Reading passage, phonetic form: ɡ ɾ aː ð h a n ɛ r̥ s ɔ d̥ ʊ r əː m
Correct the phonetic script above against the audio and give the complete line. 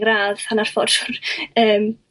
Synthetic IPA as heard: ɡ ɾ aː ð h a n a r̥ f ɔ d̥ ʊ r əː m